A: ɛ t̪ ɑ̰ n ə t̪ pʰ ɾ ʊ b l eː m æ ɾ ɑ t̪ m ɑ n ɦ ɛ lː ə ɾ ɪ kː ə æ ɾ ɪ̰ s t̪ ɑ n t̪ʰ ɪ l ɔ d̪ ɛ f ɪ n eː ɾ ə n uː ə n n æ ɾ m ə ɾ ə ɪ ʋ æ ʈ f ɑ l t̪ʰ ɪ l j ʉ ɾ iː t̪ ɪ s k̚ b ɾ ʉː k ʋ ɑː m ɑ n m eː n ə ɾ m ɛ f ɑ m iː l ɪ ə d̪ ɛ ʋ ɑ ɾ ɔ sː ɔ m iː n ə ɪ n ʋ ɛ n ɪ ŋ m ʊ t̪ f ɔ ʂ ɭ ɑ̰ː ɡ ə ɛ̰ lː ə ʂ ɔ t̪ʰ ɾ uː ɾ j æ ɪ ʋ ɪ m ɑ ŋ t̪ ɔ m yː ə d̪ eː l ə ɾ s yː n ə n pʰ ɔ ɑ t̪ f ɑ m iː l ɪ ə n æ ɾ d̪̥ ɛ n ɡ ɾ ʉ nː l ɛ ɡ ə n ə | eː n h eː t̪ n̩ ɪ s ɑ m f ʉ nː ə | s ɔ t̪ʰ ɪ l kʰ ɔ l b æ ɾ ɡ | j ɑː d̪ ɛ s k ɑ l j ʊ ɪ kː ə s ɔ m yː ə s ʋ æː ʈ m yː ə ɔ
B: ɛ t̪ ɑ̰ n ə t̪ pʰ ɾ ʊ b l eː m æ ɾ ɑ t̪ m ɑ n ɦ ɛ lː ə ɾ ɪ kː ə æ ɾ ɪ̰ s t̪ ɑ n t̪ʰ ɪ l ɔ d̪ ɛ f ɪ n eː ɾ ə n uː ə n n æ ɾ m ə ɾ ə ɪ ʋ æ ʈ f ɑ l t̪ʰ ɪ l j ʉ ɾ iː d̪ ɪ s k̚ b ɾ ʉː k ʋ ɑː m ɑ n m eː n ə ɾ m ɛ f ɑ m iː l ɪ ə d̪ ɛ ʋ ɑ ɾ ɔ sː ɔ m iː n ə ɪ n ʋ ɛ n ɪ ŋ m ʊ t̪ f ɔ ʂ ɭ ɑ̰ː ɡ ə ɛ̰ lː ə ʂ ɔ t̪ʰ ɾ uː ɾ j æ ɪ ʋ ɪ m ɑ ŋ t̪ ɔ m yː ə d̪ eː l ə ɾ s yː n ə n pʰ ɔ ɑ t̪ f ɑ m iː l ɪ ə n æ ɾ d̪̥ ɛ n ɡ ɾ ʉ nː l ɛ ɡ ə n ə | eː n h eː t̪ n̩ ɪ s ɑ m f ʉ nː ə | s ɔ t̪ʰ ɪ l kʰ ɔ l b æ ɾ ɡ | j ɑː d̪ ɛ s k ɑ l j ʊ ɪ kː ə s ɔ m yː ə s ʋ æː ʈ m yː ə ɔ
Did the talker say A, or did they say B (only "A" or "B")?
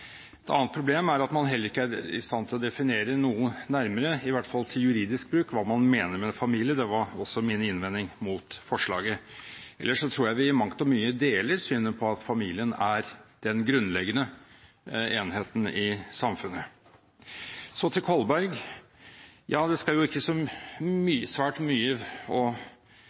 B